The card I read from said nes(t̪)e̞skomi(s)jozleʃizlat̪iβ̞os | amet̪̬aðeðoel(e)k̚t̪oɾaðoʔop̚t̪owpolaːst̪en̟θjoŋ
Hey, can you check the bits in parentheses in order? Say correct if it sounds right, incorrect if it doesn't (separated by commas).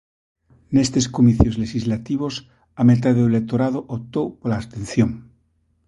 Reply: correct, incorrect, correct